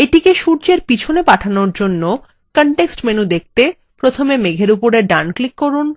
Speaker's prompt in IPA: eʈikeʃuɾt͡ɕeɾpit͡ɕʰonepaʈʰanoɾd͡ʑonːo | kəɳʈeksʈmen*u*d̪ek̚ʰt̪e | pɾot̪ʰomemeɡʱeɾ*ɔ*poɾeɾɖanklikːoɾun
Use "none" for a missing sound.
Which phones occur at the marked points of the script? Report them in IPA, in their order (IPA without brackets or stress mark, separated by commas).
u, u